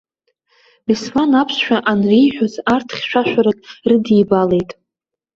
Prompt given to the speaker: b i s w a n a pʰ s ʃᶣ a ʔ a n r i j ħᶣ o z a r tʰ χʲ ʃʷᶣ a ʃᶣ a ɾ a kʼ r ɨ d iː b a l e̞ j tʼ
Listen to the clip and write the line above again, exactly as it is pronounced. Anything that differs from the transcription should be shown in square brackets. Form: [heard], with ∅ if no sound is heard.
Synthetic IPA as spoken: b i s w a n a pʰ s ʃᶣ a ʔ a n r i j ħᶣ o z a r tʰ χʲ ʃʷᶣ a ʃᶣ a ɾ a kʼ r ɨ d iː b a l e̞ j tʼ